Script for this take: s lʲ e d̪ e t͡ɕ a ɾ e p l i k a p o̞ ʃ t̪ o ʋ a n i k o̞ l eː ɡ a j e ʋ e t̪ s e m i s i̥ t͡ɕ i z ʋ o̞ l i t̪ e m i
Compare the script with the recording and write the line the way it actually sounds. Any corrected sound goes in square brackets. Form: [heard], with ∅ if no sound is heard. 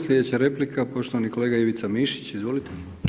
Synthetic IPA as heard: s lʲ e d̪ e t͡ɕ a ɾ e p l i k a p o̞ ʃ t̪ o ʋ a n i k o̞ l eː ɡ a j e ʋ [i] t̪ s [a] m i [ʃ] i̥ t͡ɕ i z ʋ o̞ l i t̪ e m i